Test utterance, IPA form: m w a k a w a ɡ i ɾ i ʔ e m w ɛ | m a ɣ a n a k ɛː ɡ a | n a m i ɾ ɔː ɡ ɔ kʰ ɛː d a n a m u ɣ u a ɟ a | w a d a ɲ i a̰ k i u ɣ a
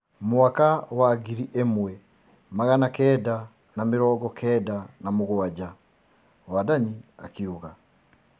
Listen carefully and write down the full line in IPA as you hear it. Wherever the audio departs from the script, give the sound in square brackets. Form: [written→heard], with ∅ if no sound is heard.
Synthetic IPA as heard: m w a k a w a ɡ i ɾ i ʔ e m w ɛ | m a ɣ a n a k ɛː [ɡ→d] a | n a m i ɾ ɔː ɡ ɔ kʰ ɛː d a n a m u ɣ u a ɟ a | w a d a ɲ i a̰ k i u ɣ a